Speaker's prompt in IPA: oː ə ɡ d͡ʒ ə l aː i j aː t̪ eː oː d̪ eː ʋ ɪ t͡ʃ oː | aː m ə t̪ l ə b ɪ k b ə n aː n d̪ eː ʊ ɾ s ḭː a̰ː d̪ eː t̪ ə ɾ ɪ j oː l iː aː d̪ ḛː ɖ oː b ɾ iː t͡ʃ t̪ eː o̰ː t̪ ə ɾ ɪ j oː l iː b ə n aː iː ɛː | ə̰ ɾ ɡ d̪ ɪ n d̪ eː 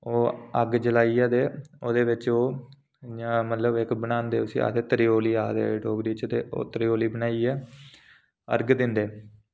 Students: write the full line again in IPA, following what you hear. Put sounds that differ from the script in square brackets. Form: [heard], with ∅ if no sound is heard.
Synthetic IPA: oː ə ɡ d͡ʒ ə l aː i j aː [d̪] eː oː d̪ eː ʋ ɪ t͡ʃ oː | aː m ə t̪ l ə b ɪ k b ə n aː n d̪ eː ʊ [∅] s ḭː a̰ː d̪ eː t̪ ə ɾ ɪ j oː l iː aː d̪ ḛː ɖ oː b ɾ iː t͡ʃ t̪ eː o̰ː t̪ ə ɾ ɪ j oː l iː b ə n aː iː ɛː | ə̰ ɾ ɡ d̪ ɪ n d̪ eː

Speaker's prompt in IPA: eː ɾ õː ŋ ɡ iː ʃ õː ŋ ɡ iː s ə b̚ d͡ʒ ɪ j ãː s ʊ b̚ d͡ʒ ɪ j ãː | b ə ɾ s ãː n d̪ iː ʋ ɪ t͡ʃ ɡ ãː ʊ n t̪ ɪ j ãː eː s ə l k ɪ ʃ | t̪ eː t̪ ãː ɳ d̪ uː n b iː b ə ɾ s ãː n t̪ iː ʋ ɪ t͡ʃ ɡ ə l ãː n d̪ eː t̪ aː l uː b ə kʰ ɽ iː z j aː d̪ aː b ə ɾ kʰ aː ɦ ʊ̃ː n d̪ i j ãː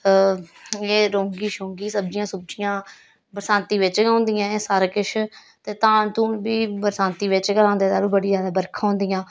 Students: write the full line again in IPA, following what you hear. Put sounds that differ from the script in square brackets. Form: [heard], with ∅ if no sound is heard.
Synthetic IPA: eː ɾ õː ŋ ɡ iː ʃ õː ŋ ɡ iː s ə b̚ d͡ʒ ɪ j ãː s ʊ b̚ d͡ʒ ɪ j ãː | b ə ɾ s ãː n [t̪] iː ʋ ɪ t͡ʃ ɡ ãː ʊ n [d̪] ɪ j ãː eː s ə [ɾ] k ɪ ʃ | t̪ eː t̪ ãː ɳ [t̪] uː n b iː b ə ɾ s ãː n t̪ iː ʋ ɪ t͡ʃ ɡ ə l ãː n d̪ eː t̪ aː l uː b ə [∅] ɽ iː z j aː d̪ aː b ə ɾ kʰ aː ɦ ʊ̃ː n d̪ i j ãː

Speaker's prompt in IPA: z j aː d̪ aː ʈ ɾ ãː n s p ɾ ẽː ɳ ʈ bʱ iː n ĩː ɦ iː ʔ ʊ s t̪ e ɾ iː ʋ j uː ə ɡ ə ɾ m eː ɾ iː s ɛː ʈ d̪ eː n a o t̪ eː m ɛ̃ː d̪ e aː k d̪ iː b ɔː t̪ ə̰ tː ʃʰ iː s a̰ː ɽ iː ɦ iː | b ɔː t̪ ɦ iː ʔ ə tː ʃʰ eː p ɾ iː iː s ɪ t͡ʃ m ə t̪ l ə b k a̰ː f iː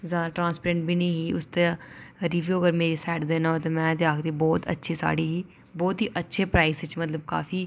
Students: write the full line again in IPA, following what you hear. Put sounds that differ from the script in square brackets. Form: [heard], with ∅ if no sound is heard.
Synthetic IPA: z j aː d̪ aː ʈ ɾ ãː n s p ɾ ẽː ɳ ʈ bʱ iː n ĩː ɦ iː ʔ ʊ s t̪ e ɾ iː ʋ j uː ə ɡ ə ɾ m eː ɾ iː s ɛː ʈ d̪ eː n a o t̪ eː m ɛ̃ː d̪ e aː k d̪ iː b ɔː t̪ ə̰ tː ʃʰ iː s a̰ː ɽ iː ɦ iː | b ɔː t̪ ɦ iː ʔ ə tː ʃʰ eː p ɾ [aː] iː s ɪ t͡ʃ m ə t̪ l ə b k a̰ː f iː

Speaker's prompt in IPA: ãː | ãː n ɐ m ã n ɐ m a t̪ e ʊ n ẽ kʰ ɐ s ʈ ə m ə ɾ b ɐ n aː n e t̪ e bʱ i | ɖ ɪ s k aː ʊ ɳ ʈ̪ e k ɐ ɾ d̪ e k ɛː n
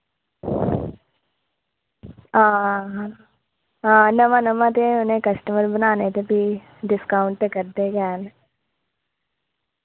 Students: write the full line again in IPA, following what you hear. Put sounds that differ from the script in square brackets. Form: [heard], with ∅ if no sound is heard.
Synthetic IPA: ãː | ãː n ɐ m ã n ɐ m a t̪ e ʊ n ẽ [k] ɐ s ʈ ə m ə ɾ b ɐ n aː n e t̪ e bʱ i | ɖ ɪ s k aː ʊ ɳ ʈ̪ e k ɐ ɾ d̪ e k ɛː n

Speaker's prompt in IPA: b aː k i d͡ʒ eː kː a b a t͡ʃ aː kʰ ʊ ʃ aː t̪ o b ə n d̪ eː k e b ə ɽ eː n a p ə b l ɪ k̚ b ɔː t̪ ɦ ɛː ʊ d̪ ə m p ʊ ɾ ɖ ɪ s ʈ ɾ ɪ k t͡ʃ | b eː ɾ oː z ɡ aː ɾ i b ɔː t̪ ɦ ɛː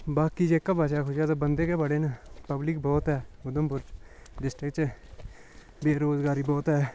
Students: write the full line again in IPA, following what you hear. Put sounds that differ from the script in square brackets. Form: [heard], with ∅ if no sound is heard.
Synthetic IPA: b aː k i d͡ʒ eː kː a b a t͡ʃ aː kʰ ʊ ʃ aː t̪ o b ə n d̪ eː k e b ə ɽ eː n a p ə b l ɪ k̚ b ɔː t̪ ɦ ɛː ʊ d̪ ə m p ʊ ɾ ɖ ɪ s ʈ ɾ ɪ k t͡ʃ | b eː ɾ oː z ɡ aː ɾ i b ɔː t̪ ɦ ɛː

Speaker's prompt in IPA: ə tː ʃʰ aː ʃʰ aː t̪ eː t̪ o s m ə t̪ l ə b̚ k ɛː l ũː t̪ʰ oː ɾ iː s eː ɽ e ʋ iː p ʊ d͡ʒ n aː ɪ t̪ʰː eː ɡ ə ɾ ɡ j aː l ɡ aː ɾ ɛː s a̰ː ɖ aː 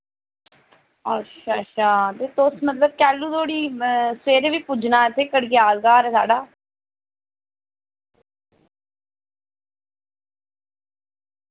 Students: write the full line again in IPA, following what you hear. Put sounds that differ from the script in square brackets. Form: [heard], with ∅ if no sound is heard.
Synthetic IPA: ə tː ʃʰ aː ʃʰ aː t̪ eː t̪ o s m ə t̪ l ə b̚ k ɛː l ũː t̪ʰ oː [ɽ] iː s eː [ɾ] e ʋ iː p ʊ d͡ʒ n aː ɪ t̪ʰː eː [k] ə [ɽ] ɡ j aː l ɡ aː ɾ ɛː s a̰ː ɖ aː

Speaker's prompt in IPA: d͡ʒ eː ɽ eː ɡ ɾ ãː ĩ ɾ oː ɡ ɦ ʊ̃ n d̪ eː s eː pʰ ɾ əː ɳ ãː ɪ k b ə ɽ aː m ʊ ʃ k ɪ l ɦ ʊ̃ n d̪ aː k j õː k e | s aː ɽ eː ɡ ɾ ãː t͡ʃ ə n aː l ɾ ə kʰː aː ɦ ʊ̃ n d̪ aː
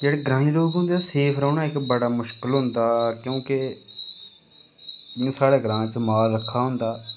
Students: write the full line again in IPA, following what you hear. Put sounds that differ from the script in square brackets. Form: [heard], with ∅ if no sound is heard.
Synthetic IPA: d͡ʒ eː ɽ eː ɡ ɾ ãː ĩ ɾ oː ɡ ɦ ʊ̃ n d̪ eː s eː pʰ ɾ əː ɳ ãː ɪ k b ə ɽ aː m ʊ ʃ k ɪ l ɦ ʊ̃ n d̪ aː k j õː k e | s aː ɽ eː ɡ ɾ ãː t͡ʃ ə [m] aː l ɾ ə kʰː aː ɦ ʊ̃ n d̪ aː

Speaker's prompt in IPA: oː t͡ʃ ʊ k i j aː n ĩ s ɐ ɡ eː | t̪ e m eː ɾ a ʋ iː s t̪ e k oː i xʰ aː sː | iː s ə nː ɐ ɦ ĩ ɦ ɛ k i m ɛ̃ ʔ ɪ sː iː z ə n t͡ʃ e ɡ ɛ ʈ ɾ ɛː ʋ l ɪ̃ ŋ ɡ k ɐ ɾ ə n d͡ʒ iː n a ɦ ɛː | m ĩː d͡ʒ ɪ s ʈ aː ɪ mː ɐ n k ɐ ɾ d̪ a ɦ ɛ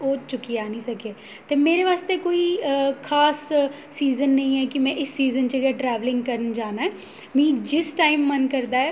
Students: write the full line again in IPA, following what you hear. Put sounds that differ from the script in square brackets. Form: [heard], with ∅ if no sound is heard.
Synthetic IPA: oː t͡ʃ ʊ k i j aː n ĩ s ɐ [k] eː | t̪ e m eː ɾ [e] ʋ [aː] s t̪ e k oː i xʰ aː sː | iː [z] ə nː ɐ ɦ ĩ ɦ ɛ k i m ɛ̃ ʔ ɪ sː iː z ə n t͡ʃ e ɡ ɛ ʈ ɾ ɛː ʋ l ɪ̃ ŋ ɡ k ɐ ɾ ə n d͡ʒ [aː] n a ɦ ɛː | m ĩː d͡ʒ ɪ s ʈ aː ɪ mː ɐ n k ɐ ɾ d̪ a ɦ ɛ

